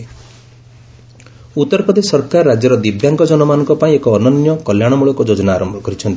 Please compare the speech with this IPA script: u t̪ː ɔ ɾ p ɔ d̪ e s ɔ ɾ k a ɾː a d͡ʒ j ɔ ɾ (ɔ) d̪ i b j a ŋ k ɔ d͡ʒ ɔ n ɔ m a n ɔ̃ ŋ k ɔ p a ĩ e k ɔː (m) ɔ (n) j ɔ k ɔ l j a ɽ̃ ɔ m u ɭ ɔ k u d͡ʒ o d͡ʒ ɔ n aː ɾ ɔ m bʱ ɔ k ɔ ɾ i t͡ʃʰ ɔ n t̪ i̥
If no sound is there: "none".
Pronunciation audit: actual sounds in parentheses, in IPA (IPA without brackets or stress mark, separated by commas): ɔ, n, n